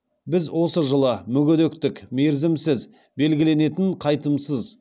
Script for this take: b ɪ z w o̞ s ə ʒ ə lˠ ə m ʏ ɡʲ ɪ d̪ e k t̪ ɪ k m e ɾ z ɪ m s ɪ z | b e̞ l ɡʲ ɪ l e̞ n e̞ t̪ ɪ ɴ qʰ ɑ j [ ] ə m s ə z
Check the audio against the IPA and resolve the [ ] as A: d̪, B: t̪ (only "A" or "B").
B